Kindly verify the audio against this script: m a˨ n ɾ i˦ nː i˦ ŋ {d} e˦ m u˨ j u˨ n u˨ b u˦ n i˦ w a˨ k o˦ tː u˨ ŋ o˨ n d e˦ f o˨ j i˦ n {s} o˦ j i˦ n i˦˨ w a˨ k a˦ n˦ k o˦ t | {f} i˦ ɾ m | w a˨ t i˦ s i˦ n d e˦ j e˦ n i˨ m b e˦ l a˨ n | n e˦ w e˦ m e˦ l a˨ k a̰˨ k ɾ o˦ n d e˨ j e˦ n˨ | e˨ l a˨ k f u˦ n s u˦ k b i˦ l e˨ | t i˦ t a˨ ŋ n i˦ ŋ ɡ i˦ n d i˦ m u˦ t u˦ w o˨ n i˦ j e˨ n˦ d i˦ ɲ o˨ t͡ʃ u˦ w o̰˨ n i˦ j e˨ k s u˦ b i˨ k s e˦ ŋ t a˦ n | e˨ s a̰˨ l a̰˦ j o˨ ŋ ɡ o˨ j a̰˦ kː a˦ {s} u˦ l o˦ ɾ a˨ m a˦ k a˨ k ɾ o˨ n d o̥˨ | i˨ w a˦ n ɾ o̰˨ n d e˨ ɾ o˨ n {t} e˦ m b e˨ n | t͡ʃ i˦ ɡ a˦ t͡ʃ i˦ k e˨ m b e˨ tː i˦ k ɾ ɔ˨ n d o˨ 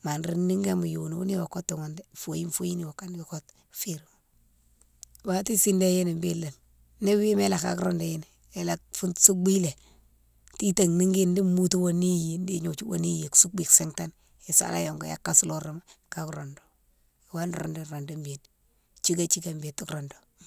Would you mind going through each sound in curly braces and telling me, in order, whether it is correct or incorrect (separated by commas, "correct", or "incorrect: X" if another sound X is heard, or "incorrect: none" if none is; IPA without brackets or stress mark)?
incorrect: ɡ, incorrect: f, correct, correct, incorrect: d